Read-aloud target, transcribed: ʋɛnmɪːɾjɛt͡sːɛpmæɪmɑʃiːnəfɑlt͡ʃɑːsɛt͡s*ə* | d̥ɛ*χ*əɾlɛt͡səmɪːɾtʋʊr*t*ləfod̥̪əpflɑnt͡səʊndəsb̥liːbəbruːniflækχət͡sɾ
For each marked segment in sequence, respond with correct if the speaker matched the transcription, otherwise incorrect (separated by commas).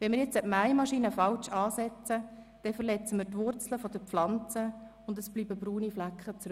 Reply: correct, incorrect, incorrect